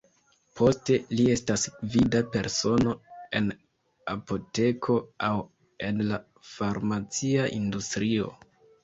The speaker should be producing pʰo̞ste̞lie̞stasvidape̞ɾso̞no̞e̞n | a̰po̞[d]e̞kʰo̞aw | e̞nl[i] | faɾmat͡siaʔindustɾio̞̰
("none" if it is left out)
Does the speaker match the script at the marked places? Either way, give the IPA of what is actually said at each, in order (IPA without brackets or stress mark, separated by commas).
t, a